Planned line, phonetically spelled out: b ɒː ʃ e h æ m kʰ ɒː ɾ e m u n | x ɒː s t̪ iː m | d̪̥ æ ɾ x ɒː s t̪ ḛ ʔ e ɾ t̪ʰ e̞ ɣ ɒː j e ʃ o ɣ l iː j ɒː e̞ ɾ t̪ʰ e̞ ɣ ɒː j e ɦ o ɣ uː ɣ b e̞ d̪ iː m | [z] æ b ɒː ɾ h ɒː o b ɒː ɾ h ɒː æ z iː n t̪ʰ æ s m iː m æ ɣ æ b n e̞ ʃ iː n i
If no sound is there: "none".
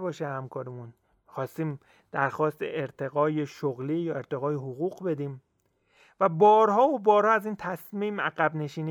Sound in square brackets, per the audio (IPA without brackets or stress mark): v